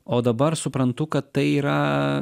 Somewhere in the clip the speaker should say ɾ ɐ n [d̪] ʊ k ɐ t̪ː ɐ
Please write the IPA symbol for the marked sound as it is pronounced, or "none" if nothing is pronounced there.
t̪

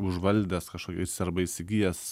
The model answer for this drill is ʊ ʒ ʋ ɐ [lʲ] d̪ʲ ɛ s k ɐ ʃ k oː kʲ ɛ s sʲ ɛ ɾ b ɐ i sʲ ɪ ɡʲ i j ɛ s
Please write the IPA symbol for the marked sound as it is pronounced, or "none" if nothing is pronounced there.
lʲ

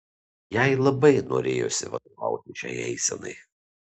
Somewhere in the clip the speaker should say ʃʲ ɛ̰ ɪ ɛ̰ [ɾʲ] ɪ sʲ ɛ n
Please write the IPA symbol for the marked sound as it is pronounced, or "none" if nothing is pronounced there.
none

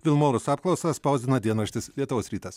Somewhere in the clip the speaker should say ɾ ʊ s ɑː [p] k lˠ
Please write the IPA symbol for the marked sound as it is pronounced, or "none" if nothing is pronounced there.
p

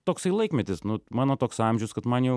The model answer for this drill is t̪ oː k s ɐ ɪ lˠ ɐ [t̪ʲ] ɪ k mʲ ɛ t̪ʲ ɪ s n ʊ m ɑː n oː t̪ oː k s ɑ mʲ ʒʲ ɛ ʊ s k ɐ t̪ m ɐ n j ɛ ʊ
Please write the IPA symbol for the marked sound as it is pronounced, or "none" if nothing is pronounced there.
none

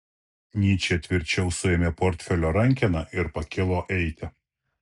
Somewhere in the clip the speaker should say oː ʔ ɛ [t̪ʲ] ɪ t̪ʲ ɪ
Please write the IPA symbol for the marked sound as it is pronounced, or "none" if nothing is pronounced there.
none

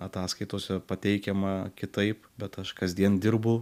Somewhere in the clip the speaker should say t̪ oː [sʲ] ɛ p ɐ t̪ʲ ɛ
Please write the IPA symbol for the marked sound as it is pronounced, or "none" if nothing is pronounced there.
sʲ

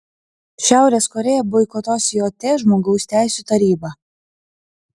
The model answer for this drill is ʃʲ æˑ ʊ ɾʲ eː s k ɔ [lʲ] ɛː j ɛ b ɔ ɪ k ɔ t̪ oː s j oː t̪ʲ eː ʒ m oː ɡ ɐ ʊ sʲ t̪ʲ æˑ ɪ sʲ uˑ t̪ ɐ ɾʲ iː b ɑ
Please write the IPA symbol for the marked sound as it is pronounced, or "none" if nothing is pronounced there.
ɾʲ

